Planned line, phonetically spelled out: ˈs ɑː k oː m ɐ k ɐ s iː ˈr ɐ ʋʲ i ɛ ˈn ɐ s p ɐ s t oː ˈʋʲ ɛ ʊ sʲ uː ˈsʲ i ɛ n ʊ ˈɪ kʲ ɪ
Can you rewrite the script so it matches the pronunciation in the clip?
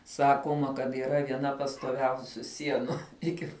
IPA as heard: ˈs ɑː k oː m ɐ k ɐ t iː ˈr ɐ ʋʲ i ɛ ˈn ɐ p ɐ s t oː ˈʋʲ ɛ ʊ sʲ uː ˈsʲ i ɛ n ʊ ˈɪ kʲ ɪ